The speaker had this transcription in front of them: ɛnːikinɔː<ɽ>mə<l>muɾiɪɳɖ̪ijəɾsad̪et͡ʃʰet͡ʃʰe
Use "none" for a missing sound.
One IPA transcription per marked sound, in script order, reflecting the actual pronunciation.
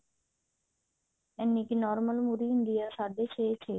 ɾ, l

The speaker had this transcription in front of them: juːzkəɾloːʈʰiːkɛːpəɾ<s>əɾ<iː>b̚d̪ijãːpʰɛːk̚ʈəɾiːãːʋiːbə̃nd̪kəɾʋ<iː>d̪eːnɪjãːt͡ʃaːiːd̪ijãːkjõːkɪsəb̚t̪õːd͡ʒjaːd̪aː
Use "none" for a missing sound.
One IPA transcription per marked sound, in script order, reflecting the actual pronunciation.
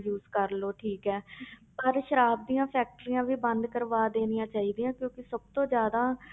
ʃ, aː, aː

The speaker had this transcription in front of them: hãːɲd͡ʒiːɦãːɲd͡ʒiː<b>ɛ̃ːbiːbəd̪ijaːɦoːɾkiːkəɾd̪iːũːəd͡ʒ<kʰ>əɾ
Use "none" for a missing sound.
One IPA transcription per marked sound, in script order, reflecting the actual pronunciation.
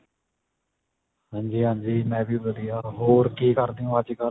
m, k

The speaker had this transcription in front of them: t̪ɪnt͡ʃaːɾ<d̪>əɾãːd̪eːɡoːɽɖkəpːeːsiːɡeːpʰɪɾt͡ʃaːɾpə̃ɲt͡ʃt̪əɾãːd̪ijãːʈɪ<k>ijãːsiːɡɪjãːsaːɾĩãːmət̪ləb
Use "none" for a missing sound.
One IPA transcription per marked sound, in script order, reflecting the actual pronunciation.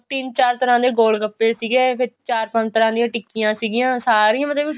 t̪, k

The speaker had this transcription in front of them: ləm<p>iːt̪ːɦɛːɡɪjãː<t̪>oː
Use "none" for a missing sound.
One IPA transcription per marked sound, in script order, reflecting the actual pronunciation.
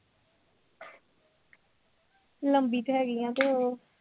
b, t̪

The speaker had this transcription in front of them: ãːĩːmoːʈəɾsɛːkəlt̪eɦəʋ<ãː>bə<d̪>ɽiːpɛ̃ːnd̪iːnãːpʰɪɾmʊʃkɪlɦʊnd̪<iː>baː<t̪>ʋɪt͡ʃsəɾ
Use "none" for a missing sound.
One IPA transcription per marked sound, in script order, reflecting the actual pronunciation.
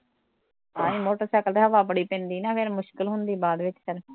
aː, none, iː, d̪

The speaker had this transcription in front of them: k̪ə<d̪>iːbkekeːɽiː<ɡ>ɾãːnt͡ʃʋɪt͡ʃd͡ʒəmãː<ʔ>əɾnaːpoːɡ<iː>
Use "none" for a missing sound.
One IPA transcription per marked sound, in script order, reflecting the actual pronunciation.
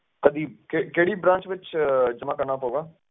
d̪, b, k, aː

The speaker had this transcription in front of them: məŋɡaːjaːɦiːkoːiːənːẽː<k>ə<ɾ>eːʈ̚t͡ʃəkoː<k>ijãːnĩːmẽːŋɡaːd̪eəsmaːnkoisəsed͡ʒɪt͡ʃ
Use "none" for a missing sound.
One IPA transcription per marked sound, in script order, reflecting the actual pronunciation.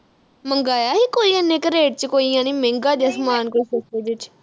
k, ɾ, none

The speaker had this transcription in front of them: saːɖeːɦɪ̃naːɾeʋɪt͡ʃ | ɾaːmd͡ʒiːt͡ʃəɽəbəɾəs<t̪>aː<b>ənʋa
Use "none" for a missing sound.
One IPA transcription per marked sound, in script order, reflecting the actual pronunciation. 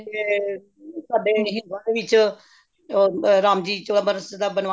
d̪, b

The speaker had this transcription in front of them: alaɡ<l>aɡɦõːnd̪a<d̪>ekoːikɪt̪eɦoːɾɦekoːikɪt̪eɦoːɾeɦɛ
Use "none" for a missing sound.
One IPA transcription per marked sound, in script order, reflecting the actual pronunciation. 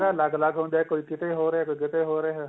l, none

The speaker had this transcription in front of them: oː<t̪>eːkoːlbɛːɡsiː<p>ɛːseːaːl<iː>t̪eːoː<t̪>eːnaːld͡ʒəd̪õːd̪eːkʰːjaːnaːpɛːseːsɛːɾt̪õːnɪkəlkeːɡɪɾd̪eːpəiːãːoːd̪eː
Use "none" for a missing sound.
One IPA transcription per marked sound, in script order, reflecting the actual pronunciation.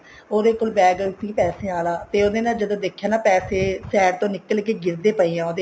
d̪, p, aː, d̪

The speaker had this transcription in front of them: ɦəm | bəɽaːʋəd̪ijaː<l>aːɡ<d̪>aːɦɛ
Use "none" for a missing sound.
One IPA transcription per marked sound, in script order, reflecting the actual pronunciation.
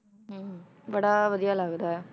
l, d̪

